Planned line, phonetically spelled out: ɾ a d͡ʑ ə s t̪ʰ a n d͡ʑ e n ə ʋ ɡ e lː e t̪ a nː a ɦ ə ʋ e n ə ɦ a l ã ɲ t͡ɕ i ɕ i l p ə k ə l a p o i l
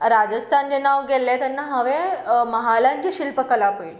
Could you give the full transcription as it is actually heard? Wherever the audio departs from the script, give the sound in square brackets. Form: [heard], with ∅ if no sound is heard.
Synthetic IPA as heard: ɾ a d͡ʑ ə s t̪ʰ a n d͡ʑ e n [a] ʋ ɡ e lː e t̪ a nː a ɦ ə ʋ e [m] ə ɦ a l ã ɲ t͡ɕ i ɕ i l p ə k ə l a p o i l